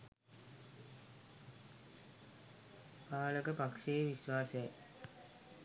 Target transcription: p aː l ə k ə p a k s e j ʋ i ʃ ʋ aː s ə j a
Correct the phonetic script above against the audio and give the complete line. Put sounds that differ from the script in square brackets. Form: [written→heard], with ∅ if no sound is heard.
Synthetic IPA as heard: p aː l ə k ə p a k [s→ʂ] e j ʋ i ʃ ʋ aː s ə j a